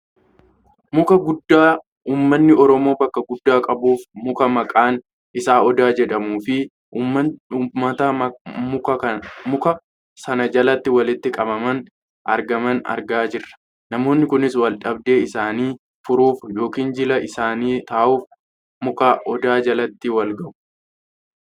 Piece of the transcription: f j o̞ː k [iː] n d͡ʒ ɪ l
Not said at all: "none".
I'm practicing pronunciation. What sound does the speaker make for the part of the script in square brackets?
iː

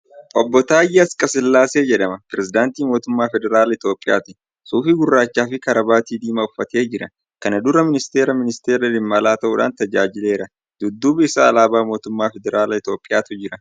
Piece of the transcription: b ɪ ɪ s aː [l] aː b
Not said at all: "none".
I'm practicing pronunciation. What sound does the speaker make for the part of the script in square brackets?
l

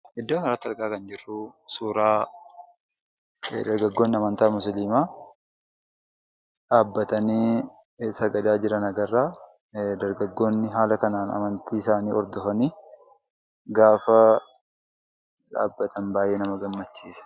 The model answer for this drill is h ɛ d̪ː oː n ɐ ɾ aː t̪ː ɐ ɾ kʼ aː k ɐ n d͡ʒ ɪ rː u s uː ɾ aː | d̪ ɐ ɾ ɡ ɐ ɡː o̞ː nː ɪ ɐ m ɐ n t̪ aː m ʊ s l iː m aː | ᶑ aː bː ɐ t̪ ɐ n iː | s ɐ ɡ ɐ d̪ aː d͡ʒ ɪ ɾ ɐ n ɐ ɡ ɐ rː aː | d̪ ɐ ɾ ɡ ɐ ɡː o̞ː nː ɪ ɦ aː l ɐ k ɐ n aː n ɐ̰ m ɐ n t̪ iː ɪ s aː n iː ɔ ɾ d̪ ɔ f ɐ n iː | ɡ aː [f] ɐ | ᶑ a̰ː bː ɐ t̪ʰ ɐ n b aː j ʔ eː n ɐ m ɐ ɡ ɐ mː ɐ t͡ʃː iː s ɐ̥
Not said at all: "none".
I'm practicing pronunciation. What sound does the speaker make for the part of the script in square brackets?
f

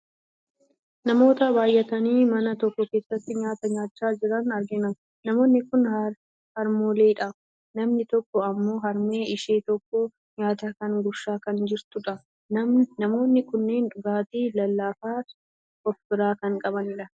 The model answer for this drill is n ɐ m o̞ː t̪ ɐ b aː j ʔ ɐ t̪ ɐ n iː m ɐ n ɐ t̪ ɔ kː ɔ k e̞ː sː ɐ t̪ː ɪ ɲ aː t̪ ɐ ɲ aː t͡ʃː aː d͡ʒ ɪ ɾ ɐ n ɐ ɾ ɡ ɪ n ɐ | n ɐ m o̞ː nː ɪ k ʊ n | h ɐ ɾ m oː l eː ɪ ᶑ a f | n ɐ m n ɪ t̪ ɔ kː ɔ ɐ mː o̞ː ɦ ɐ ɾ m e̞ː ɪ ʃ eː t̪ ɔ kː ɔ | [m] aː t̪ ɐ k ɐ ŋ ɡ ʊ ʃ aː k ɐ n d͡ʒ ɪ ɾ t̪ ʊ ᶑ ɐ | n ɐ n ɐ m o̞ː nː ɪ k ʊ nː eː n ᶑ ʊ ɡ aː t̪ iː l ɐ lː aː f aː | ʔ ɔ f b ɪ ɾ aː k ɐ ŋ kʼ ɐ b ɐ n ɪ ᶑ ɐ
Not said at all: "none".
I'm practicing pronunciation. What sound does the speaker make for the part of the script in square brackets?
ɲ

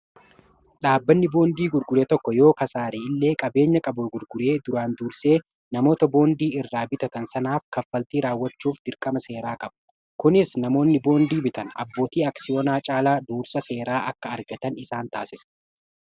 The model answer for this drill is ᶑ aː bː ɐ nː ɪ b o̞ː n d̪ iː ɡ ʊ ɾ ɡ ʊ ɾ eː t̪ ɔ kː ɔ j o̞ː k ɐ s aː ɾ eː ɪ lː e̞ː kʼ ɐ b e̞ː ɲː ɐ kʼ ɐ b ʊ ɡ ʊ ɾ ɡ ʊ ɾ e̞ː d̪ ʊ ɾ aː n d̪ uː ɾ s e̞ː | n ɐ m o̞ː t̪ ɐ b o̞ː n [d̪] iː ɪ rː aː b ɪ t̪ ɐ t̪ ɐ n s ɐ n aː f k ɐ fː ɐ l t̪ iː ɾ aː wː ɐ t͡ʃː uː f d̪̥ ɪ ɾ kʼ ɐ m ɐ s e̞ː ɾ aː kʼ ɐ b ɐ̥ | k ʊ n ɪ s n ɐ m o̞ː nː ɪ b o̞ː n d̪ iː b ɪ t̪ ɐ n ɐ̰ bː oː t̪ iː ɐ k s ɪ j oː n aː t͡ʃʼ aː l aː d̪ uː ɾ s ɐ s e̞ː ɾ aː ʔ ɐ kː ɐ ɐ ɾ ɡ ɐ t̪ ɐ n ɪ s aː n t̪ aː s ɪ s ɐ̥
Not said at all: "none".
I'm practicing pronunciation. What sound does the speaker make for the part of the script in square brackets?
d̪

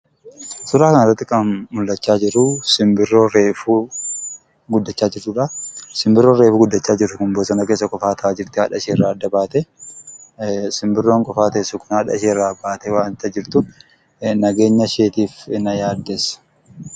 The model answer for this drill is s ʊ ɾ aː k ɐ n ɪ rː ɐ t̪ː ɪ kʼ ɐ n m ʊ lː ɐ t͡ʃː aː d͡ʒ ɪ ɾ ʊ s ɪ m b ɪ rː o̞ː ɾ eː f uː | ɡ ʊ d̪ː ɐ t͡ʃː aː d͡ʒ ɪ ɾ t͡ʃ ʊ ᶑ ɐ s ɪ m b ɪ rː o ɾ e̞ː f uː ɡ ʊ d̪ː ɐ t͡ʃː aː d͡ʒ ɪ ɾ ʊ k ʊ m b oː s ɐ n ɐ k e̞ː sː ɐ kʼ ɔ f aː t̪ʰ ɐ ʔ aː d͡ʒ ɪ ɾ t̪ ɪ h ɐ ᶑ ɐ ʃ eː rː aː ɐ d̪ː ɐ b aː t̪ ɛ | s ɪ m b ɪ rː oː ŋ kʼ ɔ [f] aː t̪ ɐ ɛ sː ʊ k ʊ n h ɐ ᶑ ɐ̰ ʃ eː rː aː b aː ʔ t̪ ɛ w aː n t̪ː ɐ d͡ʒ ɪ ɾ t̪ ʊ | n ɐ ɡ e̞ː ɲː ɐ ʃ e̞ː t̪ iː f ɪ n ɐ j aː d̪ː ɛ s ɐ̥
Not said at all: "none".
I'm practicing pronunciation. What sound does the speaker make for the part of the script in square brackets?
f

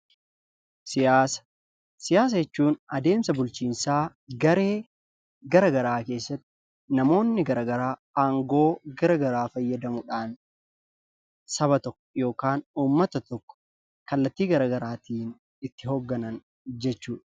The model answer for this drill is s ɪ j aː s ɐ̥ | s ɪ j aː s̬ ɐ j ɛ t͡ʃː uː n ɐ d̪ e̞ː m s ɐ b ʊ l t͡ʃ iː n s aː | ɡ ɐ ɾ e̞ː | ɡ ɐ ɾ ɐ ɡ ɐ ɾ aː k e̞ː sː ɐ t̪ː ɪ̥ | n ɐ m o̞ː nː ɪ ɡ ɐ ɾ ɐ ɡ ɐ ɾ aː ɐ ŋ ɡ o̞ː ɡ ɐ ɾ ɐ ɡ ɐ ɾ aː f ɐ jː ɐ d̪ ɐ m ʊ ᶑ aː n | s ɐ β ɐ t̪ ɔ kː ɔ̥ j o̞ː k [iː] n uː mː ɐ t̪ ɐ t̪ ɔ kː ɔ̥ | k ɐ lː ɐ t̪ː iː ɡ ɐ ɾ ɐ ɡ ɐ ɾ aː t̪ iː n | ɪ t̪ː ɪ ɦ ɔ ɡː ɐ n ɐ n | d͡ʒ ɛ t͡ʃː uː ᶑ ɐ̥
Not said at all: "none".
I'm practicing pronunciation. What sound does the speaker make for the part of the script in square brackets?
aː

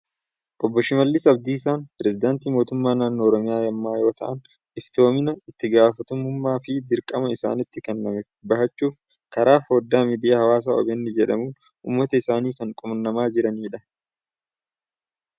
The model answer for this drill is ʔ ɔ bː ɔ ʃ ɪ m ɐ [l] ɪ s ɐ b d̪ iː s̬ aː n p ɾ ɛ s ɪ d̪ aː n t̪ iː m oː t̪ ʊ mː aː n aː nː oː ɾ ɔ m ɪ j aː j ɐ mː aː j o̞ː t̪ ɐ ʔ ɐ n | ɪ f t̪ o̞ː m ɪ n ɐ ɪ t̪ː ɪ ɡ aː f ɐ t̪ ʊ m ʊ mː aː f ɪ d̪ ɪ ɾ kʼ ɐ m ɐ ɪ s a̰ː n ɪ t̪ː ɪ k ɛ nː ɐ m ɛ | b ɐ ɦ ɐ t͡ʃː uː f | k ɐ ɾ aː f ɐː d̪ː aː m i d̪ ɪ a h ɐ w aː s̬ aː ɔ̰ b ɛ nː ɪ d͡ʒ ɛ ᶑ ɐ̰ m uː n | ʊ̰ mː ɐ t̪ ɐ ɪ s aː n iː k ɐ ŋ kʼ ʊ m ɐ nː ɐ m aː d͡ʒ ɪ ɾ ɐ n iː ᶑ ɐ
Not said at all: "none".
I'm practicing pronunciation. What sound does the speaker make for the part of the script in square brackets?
lː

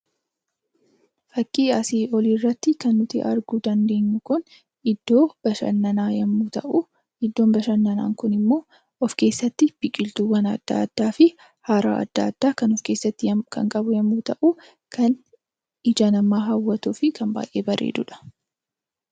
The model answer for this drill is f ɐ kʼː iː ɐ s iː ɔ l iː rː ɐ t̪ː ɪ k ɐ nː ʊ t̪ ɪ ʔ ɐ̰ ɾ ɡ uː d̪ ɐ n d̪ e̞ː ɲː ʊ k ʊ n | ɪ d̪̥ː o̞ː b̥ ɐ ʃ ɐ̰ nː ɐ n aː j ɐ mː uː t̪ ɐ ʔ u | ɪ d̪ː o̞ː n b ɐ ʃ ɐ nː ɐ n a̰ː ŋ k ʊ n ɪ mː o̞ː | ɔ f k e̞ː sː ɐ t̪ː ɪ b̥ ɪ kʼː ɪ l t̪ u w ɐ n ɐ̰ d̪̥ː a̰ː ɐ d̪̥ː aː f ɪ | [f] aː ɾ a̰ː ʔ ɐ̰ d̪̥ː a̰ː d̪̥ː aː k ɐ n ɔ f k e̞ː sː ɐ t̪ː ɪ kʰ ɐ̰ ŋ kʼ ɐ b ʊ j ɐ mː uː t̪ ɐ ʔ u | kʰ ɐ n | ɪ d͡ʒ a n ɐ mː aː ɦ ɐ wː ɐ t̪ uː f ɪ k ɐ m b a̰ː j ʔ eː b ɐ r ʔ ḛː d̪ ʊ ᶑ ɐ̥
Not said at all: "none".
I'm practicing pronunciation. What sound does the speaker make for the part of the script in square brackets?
h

